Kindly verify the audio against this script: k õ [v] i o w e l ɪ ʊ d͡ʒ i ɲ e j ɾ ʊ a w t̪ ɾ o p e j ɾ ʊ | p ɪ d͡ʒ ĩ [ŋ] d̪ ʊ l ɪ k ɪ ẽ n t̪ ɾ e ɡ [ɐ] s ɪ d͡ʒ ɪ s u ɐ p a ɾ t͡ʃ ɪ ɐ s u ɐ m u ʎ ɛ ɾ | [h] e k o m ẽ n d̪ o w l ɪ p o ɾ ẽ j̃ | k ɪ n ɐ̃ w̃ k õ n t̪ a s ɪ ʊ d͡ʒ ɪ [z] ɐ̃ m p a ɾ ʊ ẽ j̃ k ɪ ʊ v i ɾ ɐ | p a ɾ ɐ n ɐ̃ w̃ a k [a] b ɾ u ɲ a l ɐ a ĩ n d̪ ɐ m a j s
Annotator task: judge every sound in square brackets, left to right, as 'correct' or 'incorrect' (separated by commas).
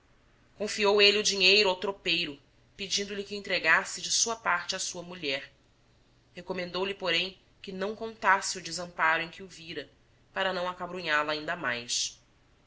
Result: incorrect, incorrect, incorrect, correct, correct, correct